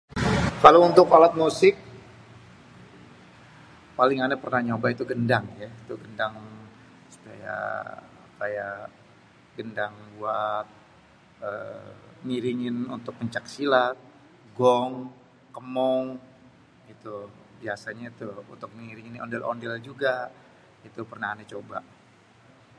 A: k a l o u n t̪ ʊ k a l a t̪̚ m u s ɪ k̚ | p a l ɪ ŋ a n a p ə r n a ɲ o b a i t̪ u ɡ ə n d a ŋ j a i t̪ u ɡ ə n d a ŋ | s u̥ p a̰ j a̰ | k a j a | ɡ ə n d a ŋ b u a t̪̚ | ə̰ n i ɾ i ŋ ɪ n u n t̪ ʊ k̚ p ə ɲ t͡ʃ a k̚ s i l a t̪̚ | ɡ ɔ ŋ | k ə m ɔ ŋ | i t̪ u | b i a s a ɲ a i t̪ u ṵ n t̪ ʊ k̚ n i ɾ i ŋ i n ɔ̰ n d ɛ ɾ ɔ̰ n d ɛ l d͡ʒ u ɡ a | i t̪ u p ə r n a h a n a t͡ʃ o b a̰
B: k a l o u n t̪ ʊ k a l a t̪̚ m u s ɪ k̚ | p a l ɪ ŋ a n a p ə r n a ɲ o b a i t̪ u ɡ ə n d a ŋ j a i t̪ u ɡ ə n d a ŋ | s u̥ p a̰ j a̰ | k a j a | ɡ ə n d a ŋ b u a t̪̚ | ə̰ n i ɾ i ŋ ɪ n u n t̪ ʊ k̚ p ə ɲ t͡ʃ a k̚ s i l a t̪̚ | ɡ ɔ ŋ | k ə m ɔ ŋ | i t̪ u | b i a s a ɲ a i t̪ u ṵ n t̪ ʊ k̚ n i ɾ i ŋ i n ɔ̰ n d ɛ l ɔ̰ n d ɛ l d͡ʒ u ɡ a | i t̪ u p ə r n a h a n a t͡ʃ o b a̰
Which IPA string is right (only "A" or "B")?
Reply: B